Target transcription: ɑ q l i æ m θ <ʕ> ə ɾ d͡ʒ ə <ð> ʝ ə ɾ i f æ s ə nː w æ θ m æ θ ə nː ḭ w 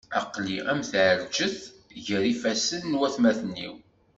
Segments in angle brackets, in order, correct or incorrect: correct, incorrect

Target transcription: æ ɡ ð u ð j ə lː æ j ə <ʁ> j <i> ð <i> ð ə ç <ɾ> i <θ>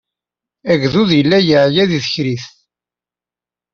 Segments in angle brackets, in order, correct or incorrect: incorrect, incorrect, correct, correct, correct

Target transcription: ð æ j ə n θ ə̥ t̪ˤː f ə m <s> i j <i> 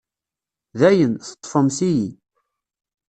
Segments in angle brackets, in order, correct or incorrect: correct, correct

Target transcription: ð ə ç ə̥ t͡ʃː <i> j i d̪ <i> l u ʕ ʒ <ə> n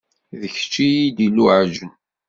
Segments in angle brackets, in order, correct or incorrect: correct, correct, correct

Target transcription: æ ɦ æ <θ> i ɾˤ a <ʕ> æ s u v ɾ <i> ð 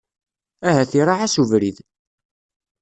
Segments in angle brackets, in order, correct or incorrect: correct, correct, correct

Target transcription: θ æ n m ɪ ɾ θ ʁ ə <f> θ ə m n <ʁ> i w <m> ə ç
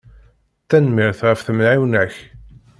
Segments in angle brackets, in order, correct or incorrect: correct, incorrect, incorrect

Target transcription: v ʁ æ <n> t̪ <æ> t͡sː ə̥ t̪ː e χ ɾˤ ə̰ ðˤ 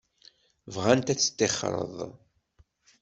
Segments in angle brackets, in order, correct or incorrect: correct, correct

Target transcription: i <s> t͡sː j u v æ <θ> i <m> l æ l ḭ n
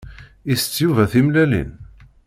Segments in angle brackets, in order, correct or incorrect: correct, correct, correct

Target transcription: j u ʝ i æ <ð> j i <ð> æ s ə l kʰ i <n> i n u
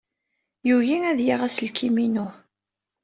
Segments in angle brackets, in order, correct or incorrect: correct, incorrect, incorrect

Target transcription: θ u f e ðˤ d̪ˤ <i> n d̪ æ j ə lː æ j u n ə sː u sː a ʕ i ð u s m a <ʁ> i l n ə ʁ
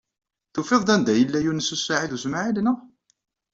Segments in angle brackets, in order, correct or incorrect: incorrect, incorrect

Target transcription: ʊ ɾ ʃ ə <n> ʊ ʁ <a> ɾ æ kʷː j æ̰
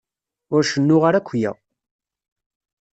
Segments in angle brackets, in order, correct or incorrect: incorrect, correct

